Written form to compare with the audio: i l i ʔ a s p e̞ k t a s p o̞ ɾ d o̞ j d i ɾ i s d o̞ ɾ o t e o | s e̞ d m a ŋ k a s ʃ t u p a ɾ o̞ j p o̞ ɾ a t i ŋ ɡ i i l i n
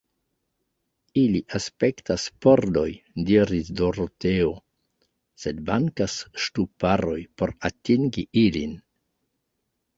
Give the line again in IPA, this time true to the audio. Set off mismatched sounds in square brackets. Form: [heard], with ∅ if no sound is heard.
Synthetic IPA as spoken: i l i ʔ a s p e̞ k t a s p o̞ ɾ d o̞ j d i ɾ i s d o̞ ɾ o t e o | s e̞ d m a ŋ k a s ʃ t u p a ɾ o̞ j p o̞ ɾ a t i ŋ ɡ i i l i n